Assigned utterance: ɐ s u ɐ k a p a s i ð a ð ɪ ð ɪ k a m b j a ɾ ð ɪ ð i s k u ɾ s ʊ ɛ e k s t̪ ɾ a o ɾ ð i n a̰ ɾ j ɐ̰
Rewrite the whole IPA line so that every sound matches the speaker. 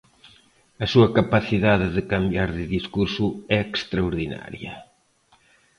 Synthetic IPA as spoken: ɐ s u ɐ k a p a θ i ð a ð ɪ ð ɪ k a m b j a ɾ ð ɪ ð i s k u ɾ s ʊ ɛ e k s t̪ ɾ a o ɾ ð i n a̰ ɾ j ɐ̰